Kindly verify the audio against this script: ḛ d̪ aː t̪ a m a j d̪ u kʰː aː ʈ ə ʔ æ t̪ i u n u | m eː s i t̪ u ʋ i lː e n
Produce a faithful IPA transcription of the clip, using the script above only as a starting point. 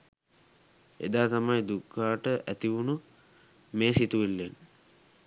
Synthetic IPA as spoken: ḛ d̪ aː t̪ a m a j d̪ u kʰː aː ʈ ə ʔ æ t̪ i u n u | m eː s i t̪ u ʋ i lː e n